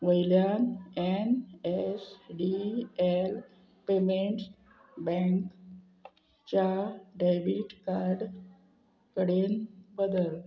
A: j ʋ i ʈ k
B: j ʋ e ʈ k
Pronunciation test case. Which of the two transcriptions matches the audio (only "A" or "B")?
A